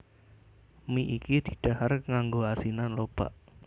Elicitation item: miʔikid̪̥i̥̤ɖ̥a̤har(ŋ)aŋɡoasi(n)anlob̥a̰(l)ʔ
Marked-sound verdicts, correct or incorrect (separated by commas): correct, correct, incorrect